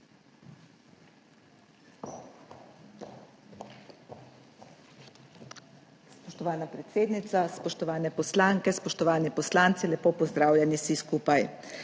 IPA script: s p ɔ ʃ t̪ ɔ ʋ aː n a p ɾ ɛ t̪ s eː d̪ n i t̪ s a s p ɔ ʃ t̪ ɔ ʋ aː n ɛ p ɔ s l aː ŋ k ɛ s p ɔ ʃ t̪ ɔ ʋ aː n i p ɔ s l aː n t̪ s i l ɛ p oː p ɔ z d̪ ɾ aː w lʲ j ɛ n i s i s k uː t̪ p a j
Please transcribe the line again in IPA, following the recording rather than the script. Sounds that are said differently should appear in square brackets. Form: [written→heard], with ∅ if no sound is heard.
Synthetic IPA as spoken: s p ɔ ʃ t̪ ɔ ʋ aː n a p ɾ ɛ t̪ s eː d̪ n i t̪ s a s p ɔ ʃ t̪ ɔ ʋ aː n ɛ p ɔ s l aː ŋ k ɛ s p ɔ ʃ t̪ ɔ ʋ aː n i p ɔ s l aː n t̪ s i l ɛ p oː p ɔ z d̪ ɾ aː w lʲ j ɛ n i s i s k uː [t̪→∅] p a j